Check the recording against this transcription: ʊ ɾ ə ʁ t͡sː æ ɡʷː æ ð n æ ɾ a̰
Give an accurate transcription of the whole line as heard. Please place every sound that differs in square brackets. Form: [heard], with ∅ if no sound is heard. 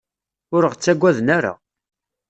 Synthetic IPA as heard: ʊ ɾ ə ʁ t͡sː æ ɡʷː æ ð n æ ɾ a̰

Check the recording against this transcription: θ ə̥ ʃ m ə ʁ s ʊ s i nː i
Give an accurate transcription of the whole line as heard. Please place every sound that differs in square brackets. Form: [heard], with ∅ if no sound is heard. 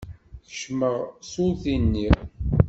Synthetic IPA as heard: θ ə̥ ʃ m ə ʁ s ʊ [θ] i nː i

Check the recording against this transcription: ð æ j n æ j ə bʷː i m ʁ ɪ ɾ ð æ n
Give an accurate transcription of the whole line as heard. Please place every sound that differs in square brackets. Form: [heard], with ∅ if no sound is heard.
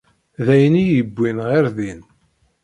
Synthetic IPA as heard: ð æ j n [i] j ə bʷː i [n] ʁ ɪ ɾ ð [i] n

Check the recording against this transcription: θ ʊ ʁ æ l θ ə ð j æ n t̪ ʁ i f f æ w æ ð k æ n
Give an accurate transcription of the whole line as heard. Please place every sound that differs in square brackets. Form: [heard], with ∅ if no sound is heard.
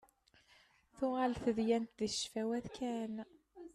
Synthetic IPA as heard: θ ʊ ʁ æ l θ ə ð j æ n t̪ [ð] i [ʃ] f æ w æ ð k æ n

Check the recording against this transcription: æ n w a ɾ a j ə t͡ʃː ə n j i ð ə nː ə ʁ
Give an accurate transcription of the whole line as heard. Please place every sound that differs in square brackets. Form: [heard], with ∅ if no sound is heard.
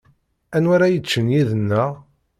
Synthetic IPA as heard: æ n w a ɾ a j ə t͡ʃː ə n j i ð ə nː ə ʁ

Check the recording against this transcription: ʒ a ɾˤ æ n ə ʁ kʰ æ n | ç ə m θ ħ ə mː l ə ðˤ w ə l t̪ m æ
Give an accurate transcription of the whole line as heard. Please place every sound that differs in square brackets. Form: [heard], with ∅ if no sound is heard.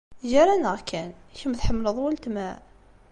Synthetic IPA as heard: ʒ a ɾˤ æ n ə ʁ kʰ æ n | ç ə m θ ħ ə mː l ə ðˤ w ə l t̪ m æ

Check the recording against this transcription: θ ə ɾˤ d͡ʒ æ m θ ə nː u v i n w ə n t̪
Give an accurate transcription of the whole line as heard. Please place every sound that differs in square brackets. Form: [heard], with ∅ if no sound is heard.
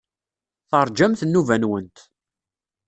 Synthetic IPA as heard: θ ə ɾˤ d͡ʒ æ m θ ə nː u v [æ] n w ə n t̪

